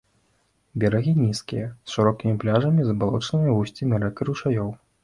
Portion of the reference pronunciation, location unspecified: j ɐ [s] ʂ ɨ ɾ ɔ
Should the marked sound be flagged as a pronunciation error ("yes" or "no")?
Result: no